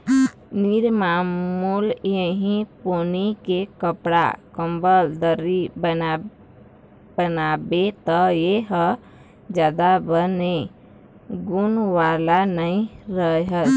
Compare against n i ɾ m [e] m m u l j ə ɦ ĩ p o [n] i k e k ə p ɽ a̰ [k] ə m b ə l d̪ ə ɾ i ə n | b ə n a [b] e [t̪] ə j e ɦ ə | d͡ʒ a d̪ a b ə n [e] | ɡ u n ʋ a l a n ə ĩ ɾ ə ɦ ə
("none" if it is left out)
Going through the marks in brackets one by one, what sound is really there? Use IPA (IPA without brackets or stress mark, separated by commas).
a, n, k, b, t̪, e